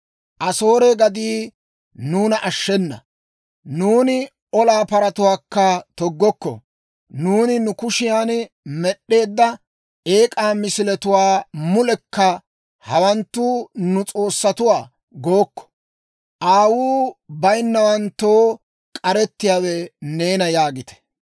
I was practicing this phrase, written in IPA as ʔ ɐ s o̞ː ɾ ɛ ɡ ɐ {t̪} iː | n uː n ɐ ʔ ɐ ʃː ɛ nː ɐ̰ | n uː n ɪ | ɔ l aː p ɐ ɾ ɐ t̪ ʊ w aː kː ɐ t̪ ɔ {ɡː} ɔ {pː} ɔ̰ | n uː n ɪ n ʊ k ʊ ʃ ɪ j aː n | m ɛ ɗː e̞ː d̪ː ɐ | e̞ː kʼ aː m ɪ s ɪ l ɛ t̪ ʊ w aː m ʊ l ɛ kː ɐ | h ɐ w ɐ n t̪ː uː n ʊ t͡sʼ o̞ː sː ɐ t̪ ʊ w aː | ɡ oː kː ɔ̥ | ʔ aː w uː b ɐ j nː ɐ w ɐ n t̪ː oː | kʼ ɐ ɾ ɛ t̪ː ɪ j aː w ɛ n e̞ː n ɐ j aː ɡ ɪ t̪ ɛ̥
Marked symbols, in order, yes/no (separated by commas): no, yes, no